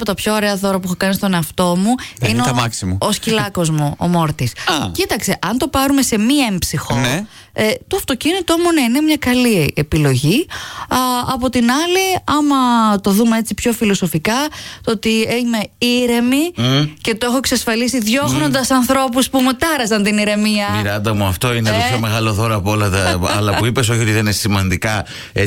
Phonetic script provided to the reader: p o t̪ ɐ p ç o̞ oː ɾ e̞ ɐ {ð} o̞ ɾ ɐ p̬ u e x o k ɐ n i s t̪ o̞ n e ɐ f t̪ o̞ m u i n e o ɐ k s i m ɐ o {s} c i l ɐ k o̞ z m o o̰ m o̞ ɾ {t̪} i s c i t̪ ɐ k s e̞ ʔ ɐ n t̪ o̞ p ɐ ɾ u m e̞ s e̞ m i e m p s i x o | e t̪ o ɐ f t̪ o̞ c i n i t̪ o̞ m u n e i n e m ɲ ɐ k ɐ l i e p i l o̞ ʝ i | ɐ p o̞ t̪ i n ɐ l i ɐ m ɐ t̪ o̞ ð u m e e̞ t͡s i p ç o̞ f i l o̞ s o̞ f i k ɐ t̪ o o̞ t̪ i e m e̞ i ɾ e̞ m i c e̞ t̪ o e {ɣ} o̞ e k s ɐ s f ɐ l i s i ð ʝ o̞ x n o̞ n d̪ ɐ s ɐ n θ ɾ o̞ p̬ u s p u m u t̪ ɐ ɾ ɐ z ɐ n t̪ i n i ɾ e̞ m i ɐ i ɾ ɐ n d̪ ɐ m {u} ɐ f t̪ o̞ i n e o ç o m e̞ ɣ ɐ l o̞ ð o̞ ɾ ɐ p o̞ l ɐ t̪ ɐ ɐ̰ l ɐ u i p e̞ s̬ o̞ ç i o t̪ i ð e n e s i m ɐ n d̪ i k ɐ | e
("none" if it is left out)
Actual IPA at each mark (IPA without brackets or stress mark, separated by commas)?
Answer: ð, s, t̪, x, u